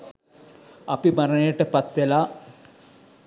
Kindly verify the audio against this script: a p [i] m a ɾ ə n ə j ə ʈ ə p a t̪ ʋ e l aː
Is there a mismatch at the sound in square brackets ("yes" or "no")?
no